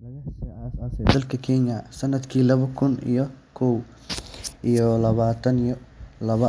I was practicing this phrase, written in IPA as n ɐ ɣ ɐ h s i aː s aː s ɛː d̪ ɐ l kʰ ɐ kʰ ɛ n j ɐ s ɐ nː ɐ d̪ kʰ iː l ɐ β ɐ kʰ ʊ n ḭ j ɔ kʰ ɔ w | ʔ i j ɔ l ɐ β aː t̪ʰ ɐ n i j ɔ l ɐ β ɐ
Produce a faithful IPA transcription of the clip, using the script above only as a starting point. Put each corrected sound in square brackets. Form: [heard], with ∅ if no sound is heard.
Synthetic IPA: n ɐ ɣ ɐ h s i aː s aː s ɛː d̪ ɐ l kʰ ɐ kʰ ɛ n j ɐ s ɐ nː ɐ d̪ kʰ iː l ɐ β ɐ kʰ ʊ n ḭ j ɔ kʰ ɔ w | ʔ i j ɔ l ɐ β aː t̪ʰ ɐ n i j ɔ l ɐ β ɐ